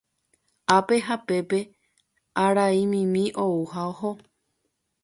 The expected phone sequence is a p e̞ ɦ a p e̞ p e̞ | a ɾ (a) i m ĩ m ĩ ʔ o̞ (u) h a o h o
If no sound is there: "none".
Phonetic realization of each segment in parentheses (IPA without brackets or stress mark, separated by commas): a, u